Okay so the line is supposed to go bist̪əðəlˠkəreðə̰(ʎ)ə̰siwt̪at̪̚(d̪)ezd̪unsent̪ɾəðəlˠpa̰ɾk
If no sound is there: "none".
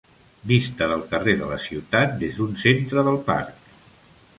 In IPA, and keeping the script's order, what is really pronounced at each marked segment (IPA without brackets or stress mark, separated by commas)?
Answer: l, d̪